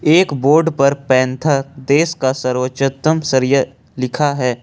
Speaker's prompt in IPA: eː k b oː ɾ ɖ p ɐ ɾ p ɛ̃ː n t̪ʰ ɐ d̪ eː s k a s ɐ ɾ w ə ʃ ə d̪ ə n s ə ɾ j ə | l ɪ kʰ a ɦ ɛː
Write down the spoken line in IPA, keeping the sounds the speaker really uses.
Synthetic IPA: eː k b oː ɾ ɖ p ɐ ɾ p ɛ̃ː n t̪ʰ a d̪ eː s k a s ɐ ɾ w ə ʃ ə t̪ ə m s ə ɾ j ə | l ɪ kʰ a ɦ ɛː